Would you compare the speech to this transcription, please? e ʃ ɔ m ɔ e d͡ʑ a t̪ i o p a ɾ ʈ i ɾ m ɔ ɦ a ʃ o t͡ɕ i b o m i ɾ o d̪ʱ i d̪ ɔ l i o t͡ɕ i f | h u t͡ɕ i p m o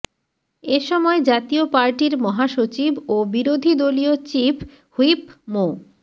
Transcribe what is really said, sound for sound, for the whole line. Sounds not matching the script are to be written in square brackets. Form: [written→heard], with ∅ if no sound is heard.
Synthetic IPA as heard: e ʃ ɔ m ɔ e d͡ʑ a t̪ i o p a ɾ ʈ i ɾ m ɔ ɦ a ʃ o t͡ɕ i b o [m→b] i ɾ o d̪ʱ i d̪ [ɔ→o] l i o t͡ɕ i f | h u [t͡ɕ→∅] i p m o